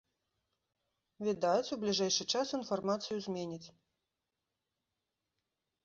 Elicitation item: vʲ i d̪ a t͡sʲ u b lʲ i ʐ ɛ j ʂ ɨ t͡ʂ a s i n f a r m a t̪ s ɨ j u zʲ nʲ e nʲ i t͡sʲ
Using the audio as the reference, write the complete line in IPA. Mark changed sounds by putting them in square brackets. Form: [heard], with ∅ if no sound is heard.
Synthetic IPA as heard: vʲ i d̪ a t͡sʲ u b lʲ i ʐ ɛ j ʂ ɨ t͡ʂ a s i n f a r m a t̪ s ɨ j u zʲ [mʲ] e nʲ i t͡sʲ